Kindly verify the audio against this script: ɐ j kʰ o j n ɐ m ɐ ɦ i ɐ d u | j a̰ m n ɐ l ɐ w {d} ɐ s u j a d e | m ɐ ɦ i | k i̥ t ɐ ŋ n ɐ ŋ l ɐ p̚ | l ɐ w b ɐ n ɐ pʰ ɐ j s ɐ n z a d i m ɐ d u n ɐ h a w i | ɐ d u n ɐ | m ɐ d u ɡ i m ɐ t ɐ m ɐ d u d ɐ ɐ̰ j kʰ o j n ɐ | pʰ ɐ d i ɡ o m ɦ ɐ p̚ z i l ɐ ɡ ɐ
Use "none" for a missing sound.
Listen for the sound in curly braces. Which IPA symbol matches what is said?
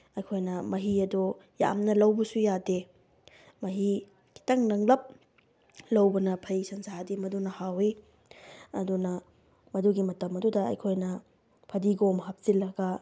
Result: b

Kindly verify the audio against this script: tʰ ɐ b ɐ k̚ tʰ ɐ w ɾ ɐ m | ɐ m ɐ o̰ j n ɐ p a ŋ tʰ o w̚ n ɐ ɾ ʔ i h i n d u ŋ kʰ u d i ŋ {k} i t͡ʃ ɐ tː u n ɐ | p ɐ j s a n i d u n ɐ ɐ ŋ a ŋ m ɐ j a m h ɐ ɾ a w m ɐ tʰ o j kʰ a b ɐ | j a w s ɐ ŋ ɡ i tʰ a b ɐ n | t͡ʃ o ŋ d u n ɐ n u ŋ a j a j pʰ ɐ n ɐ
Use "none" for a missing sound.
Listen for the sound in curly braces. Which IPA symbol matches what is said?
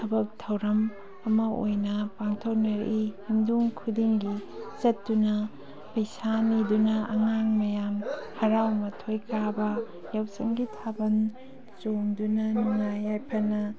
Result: ɡ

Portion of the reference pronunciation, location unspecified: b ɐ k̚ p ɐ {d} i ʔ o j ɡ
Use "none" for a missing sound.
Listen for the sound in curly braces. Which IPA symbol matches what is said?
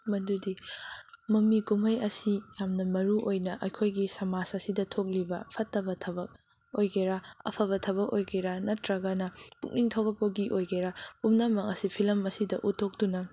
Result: ɡ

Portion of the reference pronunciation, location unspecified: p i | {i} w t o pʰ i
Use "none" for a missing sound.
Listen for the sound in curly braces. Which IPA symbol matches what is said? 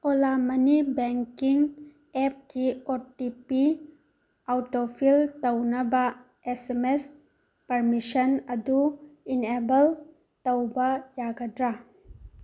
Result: a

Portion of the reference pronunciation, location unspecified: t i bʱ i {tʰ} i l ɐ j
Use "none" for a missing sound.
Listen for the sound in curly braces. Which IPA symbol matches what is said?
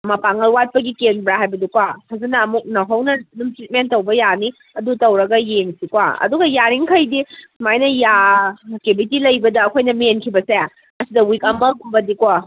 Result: t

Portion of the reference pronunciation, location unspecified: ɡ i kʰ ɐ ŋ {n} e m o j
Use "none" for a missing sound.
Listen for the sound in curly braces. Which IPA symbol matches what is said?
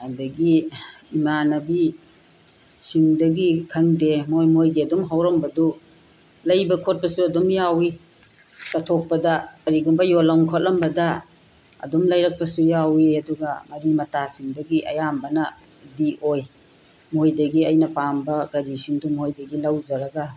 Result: d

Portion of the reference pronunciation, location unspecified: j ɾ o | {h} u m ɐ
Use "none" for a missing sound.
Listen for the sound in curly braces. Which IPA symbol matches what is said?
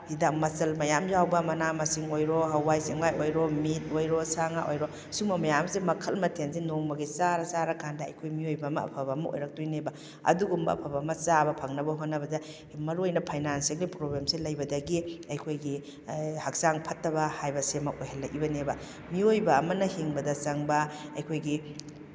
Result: s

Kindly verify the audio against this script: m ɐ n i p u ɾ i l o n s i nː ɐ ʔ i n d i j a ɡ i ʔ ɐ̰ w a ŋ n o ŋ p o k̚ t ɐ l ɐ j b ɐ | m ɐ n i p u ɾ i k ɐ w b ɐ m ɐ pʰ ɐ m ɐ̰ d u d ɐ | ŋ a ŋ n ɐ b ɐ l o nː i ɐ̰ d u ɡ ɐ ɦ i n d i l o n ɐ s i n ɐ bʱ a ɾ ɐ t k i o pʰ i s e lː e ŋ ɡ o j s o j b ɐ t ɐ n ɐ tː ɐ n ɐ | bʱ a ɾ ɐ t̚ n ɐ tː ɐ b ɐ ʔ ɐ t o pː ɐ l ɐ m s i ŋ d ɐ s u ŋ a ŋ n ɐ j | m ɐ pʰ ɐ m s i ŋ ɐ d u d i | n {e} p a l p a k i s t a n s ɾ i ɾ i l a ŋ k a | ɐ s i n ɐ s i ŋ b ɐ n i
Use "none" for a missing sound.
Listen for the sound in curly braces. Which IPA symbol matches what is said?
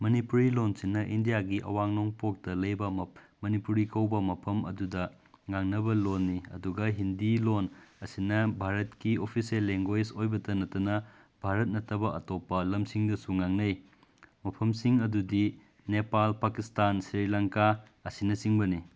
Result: e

